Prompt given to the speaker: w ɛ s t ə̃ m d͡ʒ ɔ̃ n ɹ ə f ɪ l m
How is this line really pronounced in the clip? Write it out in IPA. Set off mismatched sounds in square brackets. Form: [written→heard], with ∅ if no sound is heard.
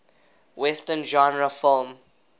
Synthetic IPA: w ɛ s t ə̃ [m→n] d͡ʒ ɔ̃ n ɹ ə f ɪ l m

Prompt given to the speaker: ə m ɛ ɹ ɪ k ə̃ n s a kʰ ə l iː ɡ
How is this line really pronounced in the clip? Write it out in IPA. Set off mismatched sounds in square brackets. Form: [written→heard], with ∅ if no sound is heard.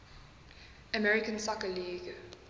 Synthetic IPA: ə m ɛ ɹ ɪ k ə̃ n s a [kʰ→k] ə l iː ɡ

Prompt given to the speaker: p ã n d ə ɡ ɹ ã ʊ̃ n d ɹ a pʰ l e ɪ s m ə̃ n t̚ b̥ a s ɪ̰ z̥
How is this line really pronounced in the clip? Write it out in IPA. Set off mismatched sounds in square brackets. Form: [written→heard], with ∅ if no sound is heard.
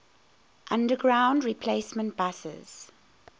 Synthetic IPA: [p→ʔ] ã n d ə ɡ ɹ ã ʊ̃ n d ɹ [a→i] pʰ l e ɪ s m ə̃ n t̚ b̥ a s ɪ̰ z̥

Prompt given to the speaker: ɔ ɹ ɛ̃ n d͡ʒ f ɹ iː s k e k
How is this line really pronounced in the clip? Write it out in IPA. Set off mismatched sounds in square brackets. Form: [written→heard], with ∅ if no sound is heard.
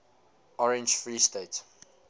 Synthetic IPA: ɔ ɹ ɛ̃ n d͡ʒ f ɹ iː s [k→t] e [k→t]

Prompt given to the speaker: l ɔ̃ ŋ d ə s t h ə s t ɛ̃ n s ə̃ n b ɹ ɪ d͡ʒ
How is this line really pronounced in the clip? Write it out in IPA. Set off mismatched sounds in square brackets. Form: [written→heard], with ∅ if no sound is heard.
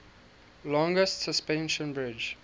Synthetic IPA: l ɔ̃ ŋ [d→ɡ] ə s t [h→s] ə s [t→p] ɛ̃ n [s→ʃ] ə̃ n b ɹ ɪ d͡ʒ

